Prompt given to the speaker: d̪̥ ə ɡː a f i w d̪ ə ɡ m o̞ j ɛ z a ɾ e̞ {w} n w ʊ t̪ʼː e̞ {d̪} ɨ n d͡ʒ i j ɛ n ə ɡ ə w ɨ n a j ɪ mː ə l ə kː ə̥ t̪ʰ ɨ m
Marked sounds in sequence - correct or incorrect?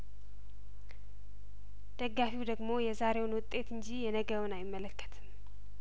correct, incorrect

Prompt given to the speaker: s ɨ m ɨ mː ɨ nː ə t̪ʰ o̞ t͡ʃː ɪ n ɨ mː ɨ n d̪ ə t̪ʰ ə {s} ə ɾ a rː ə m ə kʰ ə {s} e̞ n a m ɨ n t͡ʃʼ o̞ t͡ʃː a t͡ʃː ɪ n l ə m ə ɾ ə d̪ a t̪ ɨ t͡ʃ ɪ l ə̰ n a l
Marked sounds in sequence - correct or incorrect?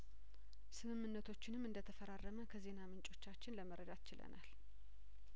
incorrect, incorrect

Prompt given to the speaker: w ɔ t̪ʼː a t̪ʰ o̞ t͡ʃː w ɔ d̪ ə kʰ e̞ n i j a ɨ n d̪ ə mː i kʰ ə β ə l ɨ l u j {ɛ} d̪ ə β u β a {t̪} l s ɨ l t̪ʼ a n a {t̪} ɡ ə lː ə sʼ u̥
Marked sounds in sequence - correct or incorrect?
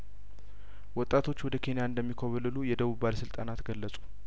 correct, incorrect, correct

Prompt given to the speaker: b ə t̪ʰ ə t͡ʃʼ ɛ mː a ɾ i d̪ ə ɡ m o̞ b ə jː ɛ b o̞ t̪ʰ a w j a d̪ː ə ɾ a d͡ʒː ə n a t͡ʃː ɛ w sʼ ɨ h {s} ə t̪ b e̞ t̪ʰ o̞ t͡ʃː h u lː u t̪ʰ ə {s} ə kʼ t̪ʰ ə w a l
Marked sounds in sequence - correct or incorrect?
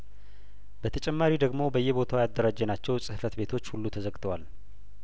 incorrect, incorrect

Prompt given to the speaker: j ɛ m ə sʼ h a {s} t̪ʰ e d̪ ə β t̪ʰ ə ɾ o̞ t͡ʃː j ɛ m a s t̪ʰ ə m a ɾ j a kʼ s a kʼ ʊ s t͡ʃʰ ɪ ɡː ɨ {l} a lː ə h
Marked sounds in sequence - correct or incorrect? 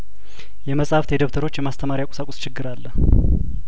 incorrect, incorrect

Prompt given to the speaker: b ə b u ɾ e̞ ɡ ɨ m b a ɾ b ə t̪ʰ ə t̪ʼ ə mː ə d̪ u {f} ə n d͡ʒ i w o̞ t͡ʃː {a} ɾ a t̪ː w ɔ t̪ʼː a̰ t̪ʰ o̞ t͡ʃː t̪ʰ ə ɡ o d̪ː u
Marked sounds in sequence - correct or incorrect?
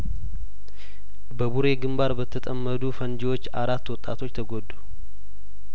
correct, correct

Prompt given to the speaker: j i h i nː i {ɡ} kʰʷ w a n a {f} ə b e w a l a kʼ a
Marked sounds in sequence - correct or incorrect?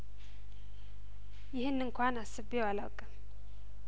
incorrect, incorrect

